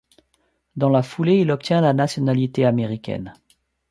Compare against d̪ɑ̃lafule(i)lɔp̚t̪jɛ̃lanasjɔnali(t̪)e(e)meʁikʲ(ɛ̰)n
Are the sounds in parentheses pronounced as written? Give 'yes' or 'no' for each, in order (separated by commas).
yes, yes, no, yes